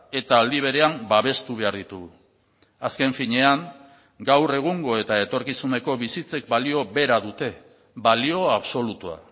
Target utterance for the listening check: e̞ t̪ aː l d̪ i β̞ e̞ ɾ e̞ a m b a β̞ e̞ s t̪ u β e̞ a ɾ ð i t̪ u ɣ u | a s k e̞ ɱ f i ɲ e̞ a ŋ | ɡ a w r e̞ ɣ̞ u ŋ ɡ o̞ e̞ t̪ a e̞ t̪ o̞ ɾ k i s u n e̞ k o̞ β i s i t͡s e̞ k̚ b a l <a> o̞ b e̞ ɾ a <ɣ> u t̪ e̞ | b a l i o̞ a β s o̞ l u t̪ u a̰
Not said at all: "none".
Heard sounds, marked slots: i, ð

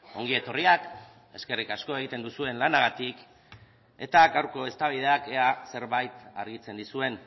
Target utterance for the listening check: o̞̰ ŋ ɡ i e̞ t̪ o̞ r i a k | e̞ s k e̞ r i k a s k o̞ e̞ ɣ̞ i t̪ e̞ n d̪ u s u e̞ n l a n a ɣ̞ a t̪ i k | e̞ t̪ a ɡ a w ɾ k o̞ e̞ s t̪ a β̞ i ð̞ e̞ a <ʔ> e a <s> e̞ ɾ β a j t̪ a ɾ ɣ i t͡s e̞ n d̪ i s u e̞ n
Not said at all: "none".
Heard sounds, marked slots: k, s

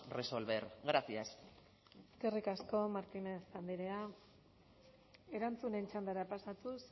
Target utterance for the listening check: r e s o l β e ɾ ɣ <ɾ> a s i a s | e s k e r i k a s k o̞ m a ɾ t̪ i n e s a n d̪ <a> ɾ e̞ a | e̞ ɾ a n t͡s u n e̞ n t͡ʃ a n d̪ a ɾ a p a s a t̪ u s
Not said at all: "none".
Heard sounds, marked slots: ɾ, i

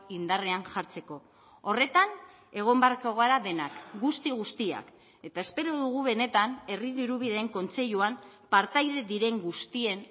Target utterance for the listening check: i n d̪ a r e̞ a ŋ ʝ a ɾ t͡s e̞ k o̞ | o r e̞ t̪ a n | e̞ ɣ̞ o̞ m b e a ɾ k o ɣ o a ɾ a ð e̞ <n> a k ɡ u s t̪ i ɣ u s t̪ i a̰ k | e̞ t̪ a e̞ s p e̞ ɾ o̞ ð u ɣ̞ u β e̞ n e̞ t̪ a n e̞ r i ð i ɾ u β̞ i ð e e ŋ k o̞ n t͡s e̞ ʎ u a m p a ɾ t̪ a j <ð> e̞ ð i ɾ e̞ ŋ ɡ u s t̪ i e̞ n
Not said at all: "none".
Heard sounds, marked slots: n, ð

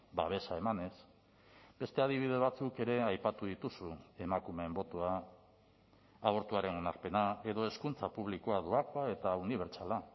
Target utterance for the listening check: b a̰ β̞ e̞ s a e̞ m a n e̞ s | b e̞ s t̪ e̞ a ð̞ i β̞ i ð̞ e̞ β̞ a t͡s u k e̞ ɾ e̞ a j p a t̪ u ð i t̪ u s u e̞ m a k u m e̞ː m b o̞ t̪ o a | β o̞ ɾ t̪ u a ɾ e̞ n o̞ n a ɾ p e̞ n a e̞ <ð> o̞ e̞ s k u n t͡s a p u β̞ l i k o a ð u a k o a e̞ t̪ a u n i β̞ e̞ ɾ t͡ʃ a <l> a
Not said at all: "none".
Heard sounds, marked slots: ð, l

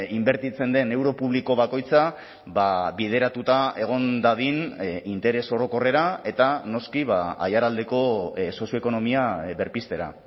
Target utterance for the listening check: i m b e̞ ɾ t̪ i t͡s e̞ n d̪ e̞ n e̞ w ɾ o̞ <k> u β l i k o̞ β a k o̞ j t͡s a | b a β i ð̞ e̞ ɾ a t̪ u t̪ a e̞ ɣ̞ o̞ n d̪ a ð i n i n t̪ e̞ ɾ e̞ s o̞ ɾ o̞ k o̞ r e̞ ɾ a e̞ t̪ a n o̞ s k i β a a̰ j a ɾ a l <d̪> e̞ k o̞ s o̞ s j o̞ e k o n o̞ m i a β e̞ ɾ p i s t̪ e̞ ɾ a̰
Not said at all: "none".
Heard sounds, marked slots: p, d̪

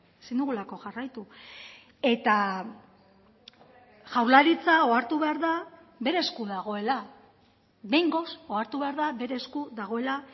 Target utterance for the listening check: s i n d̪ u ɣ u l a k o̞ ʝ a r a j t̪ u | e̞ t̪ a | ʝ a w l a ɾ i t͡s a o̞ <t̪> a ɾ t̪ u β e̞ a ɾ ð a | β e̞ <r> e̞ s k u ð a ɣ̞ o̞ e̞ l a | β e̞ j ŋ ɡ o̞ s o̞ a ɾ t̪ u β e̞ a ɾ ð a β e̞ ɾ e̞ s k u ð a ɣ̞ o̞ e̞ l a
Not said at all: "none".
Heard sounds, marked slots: none, ɾ

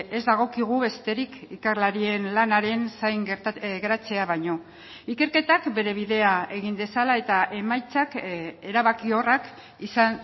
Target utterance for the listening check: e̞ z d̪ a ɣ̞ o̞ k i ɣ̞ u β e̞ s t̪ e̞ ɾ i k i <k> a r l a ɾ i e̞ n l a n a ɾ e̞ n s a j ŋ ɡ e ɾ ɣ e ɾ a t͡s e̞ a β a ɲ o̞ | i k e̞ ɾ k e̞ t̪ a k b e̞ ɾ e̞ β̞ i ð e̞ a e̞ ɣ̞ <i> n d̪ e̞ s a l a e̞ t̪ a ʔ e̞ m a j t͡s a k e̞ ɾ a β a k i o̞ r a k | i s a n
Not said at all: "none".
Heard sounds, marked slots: k, i

